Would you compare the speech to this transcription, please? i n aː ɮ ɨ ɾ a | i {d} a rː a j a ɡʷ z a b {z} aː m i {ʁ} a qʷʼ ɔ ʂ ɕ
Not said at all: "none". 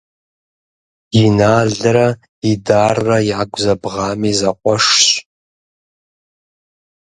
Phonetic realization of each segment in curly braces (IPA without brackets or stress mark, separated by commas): d, ʁ, z